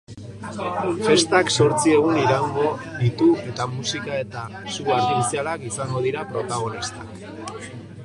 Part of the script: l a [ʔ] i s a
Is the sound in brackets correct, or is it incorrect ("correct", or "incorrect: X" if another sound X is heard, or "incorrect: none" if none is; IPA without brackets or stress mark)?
incorrect: k